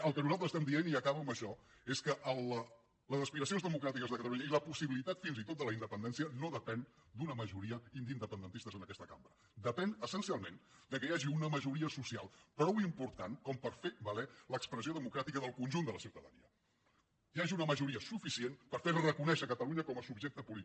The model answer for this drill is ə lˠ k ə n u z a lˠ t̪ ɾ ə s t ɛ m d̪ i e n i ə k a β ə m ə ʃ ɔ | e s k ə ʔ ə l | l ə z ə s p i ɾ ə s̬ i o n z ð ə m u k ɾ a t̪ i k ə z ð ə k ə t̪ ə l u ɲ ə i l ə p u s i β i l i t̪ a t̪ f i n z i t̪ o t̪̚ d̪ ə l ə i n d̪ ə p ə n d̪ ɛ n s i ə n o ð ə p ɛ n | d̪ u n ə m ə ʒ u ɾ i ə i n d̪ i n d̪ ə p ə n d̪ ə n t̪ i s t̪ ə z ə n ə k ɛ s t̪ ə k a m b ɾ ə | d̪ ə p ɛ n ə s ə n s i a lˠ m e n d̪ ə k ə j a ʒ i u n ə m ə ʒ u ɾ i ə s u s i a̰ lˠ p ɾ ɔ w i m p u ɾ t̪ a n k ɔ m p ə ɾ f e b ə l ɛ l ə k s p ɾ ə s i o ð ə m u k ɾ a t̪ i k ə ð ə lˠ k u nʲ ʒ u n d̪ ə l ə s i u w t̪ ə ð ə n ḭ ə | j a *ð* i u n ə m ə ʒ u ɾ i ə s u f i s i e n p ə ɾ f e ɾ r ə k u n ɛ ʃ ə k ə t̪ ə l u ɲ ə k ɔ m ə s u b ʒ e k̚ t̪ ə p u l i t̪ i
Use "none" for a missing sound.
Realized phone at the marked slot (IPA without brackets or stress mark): ʒ